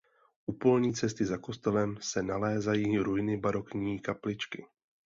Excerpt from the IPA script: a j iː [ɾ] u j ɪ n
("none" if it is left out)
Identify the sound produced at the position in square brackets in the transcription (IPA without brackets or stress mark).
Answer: ɾ